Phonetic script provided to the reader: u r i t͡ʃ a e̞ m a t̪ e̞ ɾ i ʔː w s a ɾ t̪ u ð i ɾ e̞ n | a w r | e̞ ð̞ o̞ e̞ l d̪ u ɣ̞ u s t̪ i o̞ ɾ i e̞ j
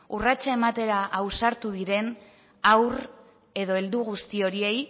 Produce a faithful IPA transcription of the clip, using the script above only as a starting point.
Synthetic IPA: u r a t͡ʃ a e̞ m a t̪ e̞ ɾ a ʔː w s a ɾ t̪ u ð i ɾ e̞ n | a w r | e̞ ð̞ o̞ e̞ l d̪ u ɣ̞ u s t̪ i o̞ ɾ i e̞ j